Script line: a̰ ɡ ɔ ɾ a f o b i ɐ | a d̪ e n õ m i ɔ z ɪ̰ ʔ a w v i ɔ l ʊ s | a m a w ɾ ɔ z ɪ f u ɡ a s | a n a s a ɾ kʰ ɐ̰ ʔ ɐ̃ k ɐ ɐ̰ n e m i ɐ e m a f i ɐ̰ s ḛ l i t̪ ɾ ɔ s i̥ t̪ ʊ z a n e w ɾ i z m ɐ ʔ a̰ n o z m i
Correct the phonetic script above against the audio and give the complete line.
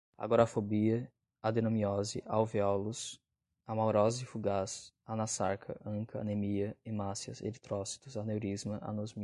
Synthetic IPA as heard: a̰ ɡ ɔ ɾ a f o b i ɐ | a d̪ e n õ m i ɔ z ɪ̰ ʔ a w v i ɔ l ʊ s | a m a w ɾ ɔ z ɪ f u ɡ a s | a n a s a ɾ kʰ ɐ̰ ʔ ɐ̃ k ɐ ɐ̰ n e m i ɐ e m a s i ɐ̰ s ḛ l i t̪ ɾ ɔ s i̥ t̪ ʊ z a n e w ɾ i z m ɐ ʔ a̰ n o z m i